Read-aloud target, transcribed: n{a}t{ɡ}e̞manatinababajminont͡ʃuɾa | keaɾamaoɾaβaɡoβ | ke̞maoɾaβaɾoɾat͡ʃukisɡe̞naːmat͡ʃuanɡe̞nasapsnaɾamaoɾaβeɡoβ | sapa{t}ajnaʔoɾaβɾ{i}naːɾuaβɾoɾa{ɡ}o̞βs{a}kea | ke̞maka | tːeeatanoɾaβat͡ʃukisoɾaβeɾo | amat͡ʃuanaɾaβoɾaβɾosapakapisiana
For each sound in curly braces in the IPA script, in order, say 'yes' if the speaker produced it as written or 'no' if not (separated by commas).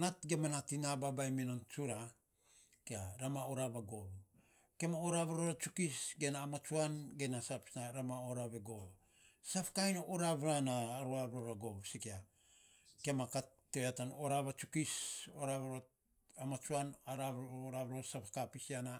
yes, yes, no, no, yes, no